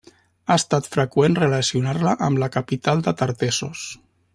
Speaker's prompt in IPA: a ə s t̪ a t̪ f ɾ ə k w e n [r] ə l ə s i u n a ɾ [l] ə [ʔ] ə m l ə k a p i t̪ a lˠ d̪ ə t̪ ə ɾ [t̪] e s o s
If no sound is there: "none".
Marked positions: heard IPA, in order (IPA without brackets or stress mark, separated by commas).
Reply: r, l, ʔ, t̪